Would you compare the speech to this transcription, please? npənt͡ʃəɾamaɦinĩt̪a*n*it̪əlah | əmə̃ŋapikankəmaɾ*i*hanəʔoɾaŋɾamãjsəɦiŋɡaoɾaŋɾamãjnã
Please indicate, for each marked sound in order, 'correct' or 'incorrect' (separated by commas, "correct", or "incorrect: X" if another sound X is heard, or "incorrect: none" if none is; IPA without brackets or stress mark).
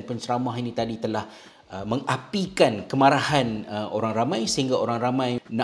incorrect: d, incorrect: a